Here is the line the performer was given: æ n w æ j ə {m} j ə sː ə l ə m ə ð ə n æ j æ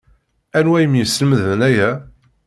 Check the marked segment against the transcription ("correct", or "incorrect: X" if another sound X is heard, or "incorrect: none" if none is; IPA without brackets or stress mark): correct